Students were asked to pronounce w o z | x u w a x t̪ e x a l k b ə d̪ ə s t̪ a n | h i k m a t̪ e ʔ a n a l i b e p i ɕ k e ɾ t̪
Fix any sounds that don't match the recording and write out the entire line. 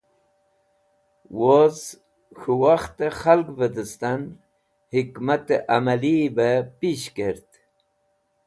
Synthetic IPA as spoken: w o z | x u w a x t̪ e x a l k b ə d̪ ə s t̪ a n | h i k m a t̪ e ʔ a m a l i b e p i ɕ k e ɾ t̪